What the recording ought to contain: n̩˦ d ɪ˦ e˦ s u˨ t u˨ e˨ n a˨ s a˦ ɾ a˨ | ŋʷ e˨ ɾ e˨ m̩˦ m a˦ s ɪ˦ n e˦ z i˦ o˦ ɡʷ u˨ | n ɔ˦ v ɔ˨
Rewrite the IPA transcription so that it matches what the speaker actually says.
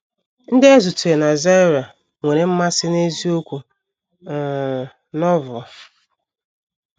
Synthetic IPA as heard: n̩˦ d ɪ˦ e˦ z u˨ t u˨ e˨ n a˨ z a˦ ɾ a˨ | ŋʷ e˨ ɾ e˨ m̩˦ m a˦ s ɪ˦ n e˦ z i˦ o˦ kʷ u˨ | n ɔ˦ v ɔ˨